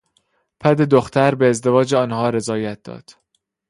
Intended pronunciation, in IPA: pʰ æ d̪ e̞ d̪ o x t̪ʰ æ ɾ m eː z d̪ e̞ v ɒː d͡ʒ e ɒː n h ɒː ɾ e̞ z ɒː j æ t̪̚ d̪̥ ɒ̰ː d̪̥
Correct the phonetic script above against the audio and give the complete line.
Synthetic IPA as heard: pʰ æ d̪ e̞ d̪ o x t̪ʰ æ ɾ b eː z d̪ e̞ v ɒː d͡ʒ e ɒː n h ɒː ɾ e̞ z ɒː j æ t̪̚ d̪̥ ɒ̰ː d̪̥